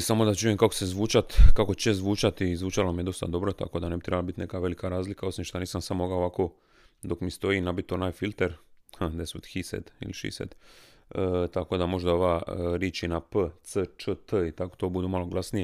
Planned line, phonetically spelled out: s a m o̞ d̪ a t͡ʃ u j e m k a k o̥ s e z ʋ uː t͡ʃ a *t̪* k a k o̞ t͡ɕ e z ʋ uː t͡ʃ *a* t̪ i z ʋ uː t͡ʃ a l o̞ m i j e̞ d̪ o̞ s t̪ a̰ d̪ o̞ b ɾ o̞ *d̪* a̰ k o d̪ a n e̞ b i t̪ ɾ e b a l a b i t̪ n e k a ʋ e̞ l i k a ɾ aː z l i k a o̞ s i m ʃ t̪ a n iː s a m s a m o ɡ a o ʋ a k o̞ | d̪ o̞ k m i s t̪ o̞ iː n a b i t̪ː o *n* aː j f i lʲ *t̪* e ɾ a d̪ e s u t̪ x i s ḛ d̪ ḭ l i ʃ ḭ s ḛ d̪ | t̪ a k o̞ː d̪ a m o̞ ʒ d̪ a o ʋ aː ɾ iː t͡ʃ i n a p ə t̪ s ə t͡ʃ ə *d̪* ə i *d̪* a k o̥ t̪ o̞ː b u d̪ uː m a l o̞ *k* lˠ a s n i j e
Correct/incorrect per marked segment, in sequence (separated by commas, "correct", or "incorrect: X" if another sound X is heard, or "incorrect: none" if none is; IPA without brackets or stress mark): correct, correct, incorrect: t̪, correct, correct, incorrect: t̪, incorrect: t̪, incorrect: ɡ